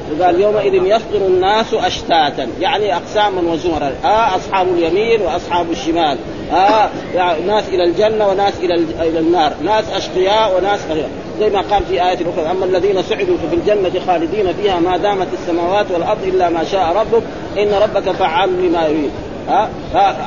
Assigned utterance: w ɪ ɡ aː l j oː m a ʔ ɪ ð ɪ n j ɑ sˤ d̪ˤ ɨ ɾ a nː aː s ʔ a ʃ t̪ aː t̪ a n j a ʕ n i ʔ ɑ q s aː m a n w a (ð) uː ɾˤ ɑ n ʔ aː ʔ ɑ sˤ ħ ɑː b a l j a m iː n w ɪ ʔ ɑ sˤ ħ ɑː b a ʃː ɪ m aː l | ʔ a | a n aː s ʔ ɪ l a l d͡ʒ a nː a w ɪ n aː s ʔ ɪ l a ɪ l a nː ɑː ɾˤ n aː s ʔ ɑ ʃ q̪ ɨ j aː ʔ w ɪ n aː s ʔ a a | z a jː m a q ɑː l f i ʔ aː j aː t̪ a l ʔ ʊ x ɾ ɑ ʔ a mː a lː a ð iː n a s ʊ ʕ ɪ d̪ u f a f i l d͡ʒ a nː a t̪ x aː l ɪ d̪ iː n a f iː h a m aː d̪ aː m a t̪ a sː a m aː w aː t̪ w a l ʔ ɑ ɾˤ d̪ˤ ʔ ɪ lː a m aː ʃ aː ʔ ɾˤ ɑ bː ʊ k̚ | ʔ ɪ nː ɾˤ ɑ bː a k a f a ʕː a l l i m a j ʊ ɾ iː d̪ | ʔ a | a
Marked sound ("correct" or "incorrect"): incorrect